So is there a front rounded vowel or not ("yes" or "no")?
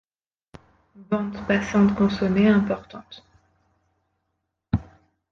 no